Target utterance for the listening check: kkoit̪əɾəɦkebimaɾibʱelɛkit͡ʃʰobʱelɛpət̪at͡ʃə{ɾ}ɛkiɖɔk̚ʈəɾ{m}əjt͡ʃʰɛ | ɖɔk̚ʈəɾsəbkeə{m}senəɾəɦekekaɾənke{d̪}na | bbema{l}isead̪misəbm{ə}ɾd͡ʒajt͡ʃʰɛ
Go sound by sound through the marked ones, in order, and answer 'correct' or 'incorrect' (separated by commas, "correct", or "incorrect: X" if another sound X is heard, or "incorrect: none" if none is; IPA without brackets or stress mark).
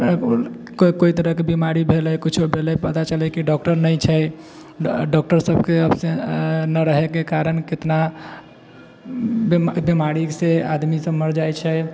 incorrect: l, incorrect: n, incorrect: b, incorrect: t̪, incorrect: ɾ, correct